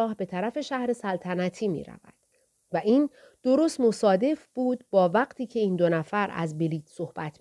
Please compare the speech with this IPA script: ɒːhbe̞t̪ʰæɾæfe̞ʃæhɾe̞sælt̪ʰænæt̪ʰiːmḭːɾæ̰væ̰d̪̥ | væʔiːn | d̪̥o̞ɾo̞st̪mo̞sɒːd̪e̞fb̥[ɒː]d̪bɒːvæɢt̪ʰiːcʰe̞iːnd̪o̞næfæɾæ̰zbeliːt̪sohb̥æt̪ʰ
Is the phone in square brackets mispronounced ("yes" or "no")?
yes